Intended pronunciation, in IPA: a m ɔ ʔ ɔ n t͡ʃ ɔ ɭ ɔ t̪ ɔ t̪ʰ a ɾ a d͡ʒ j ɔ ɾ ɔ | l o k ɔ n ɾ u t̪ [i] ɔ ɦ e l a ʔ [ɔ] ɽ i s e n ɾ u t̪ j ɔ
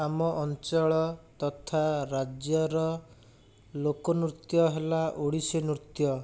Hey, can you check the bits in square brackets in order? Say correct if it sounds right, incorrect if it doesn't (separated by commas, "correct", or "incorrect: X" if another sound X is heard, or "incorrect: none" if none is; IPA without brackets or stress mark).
incorrect: j, incorrect: o